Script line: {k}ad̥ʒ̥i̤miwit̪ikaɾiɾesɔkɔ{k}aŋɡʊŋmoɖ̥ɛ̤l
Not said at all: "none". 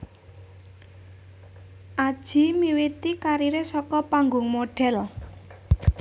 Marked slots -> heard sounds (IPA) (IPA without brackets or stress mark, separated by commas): ʔ, p